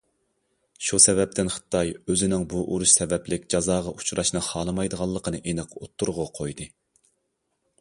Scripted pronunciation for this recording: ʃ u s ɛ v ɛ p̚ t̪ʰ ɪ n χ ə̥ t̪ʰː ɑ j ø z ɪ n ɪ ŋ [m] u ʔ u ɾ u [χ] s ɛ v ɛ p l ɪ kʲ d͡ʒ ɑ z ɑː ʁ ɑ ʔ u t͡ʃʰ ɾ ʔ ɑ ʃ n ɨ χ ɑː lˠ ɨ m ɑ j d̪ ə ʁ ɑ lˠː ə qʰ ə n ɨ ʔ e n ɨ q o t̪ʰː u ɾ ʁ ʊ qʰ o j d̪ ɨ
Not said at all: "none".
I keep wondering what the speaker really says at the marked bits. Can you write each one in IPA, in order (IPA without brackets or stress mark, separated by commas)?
b, ʃ